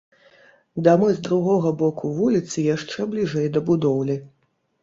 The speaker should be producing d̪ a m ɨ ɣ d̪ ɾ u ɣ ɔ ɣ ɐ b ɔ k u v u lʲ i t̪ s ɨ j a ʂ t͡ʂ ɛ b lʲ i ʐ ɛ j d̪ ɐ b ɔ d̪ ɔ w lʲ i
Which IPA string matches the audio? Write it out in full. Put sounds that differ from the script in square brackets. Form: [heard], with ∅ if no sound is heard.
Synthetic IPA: d̪ a m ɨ [z] d̪ ɾ u ɣ ɔ ɣ ɐ b ɔ k u v u lʲ i t̪ s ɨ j a ʂ t͡ʂ ɛ b lʲ i ʐ ɛ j d̪ ɐ b [u] d̪ ɔ w lʲ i